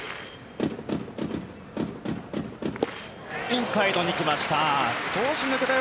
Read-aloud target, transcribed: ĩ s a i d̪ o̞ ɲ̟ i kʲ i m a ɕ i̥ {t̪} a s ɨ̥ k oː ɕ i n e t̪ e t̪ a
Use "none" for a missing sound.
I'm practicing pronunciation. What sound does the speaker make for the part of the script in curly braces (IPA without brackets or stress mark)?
t̪